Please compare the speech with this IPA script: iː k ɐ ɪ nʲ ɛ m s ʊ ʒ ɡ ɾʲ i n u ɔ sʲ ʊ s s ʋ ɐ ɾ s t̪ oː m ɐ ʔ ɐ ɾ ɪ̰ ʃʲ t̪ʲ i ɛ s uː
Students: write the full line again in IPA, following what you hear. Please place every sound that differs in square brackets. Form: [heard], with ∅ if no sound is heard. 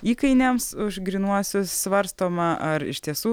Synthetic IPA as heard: iː k ɐ ɪ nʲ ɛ m s ʊ ʒ ɡ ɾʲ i n u ɔ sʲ ʊ s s ʋ ɐ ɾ s t̪ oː m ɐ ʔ ɐ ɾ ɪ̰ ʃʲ t̪ʲ i ɛ s uː